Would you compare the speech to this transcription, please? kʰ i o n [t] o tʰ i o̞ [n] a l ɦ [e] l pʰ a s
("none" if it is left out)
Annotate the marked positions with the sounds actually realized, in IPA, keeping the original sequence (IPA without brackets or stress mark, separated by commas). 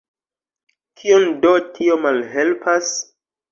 d, m, e